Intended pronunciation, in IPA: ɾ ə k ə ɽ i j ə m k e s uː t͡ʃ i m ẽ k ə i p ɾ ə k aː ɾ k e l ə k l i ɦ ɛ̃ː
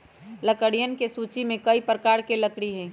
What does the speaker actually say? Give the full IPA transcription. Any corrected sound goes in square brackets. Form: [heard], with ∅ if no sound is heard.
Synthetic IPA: [l] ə k ə ɽ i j ə [n] k e s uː t͡ʃ i m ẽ k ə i p ɾ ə k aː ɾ k e l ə k [ɽ] i ɦ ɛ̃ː